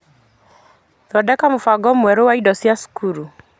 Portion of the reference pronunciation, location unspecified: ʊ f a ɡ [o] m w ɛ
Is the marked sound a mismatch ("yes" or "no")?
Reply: yes